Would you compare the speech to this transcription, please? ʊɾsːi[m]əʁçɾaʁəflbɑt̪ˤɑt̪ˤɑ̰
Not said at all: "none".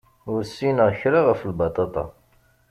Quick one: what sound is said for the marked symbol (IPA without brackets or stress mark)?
n